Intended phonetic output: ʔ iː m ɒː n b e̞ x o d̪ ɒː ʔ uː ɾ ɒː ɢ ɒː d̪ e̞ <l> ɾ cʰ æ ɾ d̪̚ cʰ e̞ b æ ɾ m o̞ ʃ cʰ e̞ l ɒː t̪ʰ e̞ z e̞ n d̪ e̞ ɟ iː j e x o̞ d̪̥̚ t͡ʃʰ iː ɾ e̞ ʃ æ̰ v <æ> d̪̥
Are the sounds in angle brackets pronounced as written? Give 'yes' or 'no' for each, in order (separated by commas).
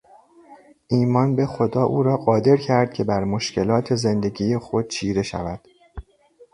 no, yes